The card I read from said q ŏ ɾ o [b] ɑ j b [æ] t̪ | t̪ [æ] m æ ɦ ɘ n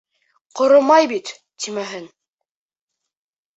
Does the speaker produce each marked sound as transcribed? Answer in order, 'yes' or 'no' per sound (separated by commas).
no, no, no